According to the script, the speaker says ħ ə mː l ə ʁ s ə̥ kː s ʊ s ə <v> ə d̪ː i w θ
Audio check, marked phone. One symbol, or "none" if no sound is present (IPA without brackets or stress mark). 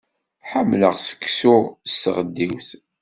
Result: ʁ